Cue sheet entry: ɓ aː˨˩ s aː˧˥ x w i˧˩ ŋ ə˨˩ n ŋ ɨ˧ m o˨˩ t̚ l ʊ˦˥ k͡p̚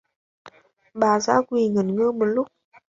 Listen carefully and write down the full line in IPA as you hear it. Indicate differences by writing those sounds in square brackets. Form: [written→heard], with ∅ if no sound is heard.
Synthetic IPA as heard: ɓ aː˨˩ [s→z] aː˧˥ [x→k] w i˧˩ ŋ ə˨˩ n ŋ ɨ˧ m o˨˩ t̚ l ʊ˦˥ k͡p̚